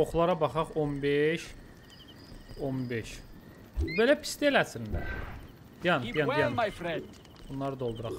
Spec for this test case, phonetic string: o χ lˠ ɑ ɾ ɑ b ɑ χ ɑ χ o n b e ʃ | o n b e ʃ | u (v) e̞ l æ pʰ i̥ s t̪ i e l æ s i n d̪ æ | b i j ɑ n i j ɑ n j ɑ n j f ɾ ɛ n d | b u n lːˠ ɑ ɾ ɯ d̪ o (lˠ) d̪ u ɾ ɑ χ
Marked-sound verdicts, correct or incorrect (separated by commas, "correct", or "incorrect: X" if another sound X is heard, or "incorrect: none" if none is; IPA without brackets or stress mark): incorrect: b, correct